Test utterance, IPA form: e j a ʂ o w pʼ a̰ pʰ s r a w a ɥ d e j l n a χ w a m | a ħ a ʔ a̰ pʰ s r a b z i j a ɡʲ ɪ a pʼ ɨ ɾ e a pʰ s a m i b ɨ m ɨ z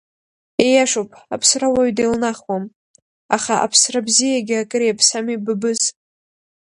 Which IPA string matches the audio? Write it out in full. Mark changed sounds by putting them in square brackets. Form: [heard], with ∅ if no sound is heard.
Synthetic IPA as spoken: e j a ʂ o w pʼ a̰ pʰ s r a w a ɥ d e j l n a χ w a m | a [χ] a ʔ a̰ pʰ s r a b z i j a ɡʲ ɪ a [kʼ] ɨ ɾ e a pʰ s a m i b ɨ [b] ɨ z